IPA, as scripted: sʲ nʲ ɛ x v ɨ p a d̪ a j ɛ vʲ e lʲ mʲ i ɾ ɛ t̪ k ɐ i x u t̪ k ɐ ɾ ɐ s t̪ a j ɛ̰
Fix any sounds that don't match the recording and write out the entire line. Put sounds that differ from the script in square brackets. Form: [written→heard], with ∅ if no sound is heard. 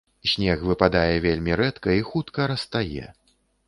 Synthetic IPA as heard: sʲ nʲ ɛ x v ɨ p a d̪ a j ɛ vʲ e lʲ mʲ i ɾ ɛ t̪ k ɐ i x u t̪ k ɐ ɾ ɐ s t̪ a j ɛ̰